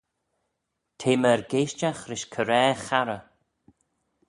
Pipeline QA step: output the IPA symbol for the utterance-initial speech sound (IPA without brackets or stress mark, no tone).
tʰ